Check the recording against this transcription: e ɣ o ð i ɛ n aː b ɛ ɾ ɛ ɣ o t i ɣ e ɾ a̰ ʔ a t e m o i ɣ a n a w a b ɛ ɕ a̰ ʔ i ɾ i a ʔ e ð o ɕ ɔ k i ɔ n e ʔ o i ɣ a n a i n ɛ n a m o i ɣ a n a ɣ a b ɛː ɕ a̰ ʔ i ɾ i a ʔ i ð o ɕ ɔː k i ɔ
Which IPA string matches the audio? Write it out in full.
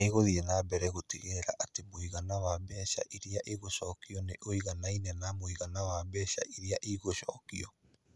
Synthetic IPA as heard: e ɣ o ð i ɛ n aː b ɛ ɾ ɛ ɣ o t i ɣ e ɾ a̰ ʔ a t e m o i ɣ a n a w a b ɛ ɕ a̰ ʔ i ɾ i a ʔ e ɣ o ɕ ɔ k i ɔ n e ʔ o i ɣ a n a i n ɛ n a m o i ɣ a n a w a b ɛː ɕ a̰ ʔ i ɾ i a ʔ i ɣ o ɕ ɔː k i ɔ